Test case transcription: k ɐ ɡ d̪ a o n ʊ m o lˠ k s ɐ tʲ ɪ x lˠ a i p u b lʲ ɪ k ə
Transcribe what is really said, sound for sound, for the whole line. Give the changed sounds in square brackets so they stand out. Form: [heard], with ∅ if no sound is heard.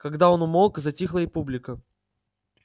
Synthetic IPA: k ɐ ɡ d̪ a o n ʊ m o lˠ k [z] ɐ tʲ [i] x lˠ [ə] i p u b lʲ ɪ k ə